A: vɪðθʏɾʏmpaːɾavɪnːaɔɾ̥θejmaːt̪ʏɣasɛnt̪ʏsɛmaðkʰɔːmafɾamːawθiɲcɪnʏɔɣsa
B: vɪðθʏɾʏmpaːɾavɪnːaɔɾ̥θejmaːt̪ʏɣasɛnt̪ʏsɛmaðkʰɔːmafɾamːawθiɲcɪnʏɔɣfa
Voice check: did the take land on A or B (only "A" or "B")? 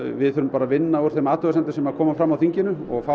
B